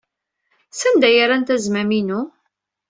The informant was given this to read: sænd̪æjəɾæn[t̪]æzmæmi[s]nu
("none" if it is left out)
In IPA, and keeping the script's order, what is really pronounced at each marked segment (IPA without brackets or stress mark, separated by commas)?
t̪, none